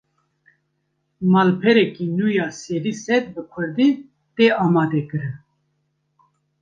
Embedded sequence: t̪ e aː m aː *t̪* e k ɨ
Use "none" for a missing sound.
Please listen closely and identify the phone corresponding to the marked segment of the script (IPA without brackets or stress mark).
d̪